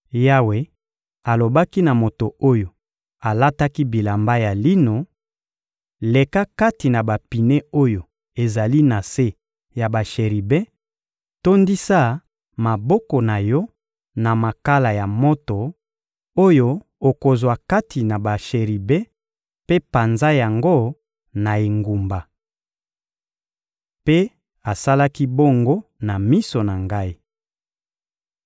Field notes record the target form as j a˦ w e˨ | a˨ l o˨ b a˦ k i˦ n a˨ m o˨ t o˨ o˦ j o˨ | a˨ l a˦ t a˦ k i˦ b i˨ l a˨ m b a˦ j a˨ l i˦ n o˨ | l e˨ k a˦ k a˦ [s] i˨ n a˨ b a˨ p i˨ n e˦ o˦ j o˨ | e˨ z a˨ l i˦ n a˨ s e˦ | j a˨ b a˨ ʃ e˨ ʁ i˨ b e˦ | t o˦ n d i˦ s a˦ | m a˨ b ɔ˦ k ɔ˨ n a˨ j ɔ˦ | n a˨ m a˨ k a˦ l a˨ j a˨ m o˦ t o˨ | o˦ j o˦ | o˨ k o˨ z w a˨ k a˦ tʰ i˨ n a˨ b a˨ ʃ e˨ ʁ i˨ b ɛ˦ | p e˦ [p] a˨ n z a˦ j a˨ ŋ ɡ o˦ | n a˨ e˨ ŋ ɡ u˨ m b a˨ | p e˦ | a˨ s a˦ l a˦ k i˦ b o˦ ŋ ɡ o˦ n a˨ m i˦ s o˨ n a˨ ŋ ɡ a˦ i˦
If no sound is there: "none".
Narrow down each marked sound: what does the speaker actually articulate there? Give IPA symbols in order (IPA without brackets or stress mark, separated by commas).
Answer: t, p